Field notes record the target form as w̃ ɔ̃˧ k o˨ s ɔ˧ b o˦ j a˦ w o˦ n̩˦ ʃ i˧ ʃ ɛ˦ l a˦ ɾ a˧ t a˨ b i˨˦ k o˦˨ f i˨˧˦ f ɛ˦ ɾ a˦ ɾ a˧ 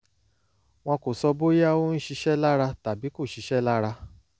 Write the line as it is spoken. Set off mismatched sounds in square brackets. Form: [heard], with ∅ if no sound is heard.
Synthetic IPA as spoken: w̃ ɔ̃˧ k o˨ s ɔ˧ b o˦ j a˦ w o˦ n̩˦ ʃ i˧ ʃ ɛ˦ l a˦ ɾ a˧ t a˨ b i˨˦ k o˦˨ [ʃ] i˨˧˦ [ʃ] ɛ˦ [l] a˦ ɾ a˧

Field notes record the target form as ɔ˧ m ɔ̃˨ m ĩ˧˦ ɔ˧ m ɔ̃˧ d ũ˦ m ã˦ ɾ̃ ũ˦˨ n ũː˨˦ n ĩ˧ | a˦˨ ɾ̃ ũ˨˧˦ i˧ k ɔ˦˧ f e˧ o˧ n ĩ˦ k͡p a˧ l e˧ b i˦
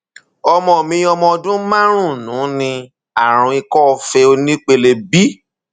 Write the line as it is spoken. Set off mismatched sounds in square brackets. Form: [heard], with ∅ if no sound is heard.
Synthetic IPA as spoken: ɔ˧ m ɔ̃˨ m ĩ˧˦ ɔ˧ m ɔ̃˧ d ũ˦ m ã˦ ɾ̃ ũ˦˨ n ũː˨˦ n ĩ˧ | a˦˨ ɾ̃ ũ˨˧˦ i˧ k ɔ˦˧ f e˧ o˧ n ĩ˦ k͡p [e˧] l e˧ b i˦

